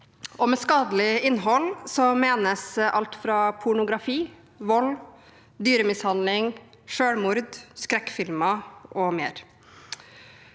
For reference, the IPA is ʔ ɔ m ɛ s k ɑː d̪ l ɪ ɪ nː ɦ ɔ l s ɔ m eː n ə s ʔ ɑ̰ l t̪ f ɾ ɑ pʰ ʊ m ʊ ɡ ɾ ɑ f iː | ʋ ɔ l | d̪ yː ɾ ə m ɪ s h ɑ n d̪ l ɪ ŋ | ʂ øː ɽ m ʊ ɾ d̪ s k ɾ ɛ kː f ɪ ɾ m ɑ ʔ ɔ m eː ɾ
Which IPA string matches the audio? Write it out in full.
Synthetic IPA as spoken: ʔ ɔ m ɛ s k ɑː d̪ l ɪ ɪ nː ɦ ɔ l s ɔ m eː n ə s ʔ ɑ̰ l t̪ f ɾ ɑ pʰ ʊ ɳ ʊ ɡ ɾ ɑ f iː | ʋ ɔ l | d̪ yː ɾ ə m ɪ s h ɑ n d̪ l ɪ ŋ | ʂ øː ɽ m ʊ ɾ d̪ s k ɾ ɛ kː f ɪ l m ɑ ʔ ɔ m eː ɾ